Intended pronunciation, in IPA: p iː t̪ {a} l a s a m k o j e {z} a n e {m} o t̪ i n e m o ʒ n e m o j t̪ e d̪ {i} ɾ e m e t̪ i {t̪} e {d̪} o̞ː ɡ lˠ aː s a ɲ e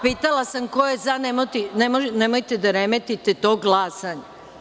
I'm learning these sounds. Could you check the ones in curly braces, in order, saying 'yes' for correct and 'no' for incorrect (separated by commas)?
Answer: yes, yes, yes, no, yes, no